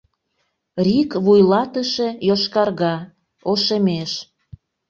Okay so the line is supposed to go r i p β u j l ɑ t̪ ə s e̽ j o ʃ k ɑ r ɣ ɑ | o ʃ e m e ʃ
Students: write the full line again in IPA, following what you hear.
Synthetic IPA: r i k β u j l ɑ t̪ ə ʃ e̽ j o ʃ k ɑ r ɣ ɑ | o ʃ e m e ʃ